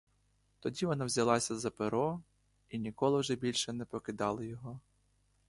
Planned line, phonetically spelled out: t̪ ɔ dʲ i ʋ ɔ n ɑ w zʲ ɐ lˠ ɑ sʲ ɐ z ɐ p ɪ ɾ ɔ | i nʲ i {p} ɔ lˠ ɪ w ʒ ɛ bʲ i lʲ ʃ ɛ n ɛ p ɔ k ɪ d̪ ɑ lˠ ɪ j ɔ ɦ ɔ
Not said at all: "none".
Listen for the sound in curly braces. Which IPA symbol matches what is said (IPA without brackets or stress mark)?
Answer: k